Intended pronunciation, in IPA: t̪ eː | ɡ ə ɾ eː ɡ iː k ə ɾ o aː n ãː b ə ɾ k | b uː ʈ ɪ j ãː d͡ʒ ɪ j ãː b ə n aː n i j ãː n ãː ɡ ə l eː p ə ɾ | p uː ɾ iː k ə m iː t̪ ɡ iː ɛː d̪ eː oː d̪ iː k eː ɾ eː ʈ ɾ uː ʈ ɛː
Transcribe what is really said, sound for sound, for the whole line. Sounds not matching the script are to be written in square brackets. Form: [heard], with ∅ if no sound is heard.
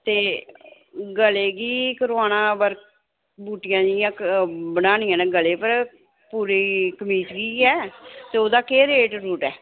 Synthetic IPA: t̪ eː | ɡ ə [l] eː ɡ iː k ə ɾ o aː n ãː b ə ɾ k | b uː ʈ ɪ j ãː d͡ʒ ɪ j ãː b ə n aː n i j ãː n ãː ɡ ə l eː p ə ɾ | p uː ɾ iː k ə m iː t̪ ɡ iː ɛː [t̪] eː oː d̪ [aː] k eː ɾ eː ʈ ɾ uː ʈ ɛː